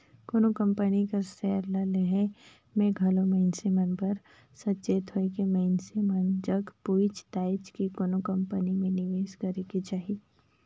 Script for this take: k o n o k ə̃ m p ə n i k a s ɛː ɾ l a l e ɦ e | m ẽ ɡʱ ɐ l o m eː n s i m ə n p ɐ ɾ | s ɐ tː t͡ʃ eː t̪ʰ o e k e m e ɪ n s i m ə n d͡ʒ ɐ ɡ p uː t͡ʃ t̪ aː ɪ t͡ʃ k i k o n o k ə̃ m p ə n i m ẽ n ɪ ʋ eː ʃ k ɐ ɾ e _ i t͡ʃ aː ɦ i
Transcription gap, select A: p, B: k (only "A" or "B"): B